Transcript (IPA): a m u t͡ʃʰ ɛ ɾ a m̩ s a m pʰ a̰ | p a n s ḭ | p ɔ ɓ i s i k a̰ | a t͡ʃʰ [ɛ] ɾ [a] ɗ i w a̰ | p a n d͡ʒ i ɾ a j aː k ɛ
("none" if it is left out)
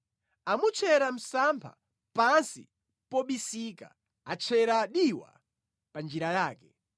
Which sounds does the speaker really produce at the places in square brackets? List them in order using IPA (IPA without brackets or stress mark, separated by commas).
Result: ɛ, a